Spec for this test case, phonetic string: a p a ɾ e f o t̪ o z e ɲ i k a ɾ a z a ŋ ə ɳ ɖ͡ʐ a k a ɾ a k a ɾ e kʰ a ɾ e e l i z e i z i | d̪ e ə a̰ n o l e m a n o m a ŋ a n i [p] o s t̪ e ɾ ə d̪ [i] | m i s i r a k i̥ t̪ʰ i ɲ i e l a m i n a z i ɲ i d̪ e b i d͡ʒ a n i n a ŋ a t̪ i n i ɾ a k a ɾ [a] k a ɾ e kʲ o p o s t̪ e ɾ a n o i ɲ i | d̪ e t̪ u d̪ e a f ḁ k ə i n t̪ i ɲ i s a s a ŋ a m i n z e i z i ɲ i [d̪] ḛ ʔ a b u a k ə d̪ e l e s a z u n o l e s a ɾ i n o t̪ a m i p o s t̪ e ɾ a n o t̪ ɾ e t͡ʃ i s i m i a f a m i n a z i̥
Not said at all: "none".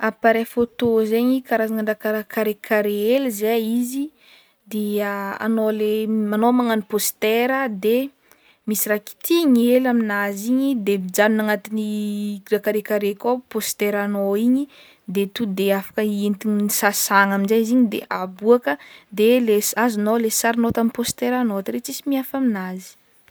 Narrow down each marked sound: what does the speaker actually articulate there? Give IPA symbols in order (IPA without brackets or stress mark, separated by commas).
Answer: p, e, e, d̪